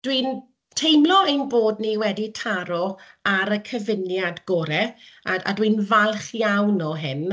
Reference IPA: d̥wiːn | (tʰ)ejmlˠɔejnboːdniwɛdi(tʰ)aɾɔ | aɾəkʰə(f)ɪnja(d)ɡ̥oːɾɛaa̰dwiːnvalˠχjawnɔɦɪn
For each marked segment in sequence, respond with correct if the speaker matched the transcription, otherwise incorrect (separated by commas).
correct, correct, incorrect, correct